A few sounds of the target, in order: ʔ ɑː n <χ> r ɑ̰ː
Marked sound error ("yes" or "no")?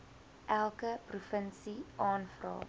yes